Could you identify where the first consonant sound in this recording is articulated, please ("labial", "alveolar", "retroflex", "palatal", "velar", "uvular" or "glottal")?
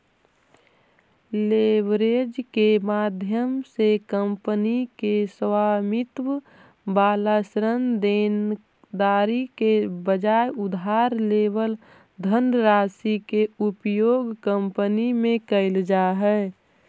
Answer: alveolar